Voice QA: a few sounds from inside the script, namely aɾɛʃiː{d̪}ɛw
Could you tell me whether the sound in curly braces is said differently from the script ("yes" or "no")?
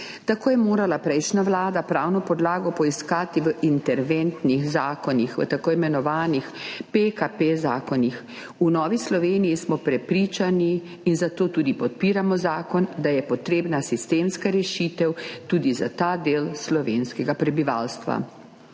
yes